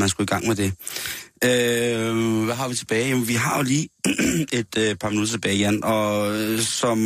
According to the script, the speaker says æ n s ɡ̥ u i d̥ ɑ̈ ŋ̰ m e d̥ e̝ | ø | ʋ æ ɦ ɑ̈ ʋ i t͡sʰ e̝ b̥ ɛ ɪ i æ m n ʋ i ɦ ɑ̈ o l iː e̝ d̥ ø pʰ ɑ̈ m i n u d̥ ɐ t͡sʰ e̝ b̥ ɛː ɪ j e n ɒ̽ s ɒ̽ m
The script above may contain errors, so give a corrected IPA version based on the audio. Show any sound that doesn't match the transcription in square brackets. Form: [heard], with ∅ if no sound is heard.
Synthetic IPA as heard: æ n s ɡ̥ u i [ɡ̥] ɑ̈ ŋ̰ m e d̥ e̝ | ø | ʋ æ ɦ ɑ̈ ʋ i t͡sʰ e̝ b̥ [ɛː] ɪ [j] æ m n ʋ i ɦ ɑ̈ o l iː e̝ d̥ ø pʰ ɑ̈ m i n u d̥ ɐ t͡sʰ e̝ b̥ ɛː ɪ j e n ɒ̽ s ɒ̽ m